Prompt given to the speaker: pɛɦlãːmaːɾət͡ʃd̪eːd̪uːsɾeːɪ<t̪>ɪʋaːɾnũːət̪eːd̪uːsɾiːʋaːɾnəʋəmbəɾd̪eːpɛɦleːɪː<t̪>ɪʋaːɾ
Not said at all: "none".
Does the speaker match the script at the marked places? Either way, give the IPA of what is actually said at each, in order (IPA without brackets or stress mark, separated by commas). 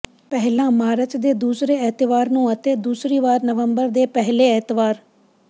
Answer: t̪, t̪